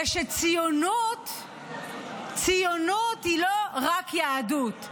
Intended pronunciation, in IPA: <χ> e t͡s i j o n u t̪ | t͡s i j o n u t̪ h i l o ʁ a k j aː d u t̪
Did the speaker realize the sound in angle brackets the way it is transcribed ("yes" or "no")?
no